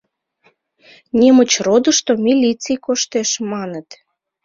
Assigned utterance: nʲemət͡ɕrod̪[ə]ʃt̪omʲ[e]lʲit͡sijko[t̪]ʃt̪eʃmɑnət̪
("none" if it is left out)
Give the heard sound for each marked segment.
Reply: ə, i, none

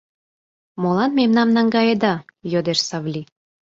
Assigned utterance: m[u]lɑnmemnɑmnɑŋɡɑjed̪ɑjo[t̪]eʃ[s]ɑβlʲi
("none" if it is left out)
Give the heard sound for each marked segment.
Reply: o, d̪, s

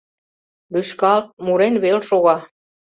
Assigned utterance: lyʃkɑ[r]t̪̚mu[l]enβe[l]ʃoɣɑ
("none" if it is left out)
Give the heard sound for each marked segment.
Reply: l, ɾ, l

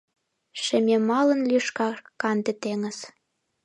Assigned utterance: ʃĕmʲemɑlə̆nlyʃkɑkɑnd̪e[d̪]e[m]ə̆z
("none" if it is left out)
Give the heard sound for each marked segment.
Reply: t̪, ŋ

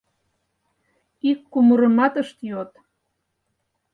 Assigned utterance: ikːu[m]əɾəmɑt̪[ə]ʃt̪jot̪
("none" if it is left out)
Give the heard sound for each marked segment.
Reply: m, ə

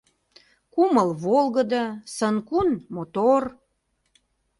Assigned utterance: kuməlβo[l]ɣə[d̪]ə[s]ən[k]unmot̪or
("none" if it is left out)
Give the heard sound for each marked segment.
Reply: l, d̪, s, k

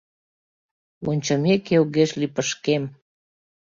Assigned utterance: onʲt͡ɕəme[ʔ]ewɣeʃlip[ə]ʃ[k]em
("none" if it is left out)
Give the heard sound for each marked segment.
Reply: k, ə, k

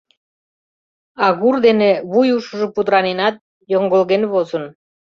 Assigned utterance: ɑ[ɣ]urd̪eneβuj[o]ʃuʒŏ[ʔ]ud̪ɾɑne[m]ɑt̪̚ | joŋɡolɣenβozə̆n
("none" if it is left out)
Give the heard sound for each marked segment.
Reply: ɣ, u, p, n

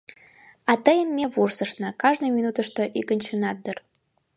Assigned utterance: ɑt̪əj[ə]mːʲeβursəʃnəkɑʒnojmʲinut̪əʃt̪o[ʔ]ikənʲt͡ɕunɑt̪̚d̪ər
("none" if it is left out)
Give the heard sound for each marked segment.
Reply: ə, ʔ

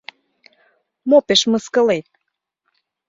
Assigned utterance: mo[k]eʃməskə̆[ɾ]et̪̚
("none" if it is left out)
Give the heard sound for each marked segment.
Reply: p, l

